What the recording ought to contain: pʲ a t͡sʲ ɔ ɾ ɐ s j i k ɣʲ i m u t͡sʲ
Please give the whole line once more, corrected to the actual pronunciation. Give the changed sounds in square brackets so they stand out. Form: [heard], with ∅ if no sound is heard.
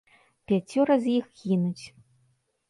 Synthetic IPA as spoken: pʲ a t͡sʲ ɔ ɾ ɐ [z] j i [x] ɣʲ i [n] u t͡sʲ